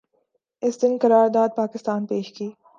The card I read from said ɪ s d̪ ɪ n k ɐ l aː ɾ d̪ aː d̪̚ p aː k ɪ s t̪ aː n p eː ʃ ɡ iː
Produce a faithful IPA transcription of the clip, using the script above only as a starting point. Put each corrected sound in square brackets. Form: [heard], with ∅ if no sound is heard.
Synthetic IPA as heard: ɪ s d̪ ɪ n k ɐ [ɾ] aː ɾ d̪ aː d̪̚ p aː k ɪ s t̪ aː n p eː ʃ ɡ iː